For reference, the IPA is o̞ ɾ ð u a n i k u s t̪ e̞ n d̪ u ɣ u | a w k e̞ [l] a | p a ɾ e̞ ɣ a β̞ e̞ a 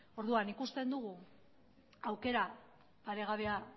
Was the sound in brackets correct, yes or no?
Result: no